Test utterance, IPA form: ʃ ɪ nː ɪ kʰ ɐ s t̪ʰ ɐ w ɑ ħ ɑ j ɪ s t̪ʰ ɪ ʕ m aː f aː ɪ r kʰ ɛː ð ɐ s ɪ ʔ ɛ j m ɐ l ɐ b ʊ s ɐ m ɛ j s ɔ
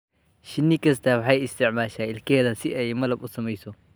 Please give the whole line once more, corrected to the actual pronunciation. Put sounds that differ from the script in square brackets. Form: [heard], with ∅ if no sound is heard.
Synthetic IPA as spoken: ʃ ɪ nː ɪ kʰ ɐ s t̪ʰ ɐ w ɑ ħ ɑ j ɪ s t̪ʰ ɪ ʕ m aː [ʃ] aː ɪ [l] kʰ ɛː ð ɐ s ɪ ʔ ɛ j m ɐ l ɐ b ʊ s ɐ m ɛ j s ɔ